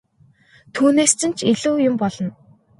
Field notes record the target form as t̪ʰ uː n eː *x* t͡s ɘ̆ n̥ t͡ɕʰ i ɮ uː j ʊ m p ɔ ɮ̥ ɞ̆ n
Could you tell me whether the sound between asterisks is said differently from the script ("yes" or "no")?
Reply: yes